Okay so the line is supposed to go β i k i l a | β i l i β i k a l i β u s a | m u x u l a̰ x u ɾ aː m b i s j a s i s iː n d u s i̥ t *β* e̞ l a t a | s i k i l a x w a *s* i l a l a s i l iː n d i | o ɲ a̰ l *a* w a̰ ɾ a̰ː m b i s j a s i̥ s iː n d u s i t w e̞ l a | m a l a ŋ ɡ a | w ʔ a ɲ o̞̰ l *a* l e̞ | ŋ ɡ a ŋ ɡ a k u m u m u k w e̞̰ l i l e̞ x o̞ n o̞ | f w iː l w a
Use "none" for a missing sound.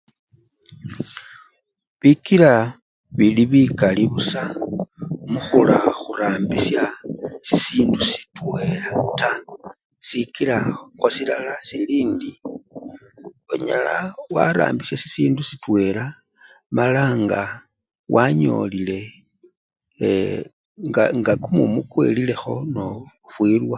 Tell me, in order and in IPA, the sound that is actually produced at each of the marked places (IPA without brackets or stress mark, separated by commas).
w, s, a, i